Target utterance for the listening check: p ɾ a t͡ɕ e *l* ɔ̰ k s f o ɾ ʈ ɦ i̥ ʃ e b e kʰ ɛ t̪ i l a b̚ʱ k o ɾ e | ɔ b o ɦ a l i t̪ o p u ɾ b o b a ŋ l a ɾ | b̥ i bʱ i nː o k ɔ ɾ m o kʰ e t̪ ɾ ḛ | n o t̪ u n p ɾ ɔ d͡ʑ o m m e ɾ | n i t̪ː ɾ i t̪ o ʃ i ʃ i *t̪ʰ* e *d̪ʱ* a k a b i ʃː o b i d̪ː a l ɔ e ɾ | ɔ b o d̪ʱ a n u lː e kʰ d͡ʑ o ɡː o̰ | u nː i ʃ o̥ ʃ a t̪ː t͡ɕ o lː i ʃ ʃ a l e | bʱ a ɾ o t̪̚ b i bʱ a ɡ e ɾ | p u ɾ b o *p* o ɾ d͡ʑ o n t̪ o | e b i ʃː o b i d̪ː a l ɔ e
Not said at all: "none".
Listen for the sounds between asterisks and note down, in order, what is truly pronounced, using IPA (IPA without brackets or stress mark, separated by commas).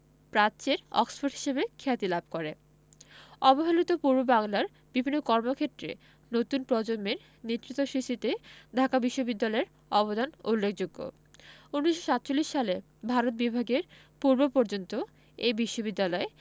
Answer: ɾ, t̪, d̪ʱ, p